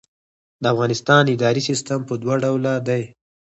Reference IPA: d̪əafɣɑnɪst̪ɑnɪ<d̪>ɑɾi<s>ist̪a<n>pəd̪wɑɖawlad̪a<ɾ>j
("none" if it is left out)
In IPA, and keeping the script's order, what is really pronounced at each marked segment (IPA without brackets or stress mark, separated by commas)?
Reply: d̪, s, m, none